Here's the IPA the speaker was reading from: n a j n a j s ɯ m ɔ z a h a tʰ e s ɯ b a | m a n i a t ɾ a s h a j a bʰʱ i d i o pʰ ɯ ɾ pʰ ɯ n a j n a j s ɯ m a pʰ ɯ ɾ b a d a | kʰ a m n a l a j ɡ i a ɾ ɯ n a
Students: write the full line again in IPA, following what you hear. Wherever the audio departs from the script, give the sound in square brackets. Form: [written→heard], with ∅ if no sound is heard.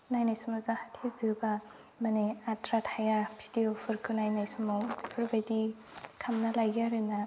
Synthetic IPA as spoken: n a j n a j s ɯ m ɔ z a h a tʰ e [s→z] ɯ b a | m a n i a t ɾ a [s→t] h a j a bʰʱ i d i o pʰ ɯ ɾ [pʰ→kʰ] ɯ n a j n a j s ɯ m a pʰ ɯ ɾ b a d [a→i] | kʰ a m n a l a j ɡ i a ɾ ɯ n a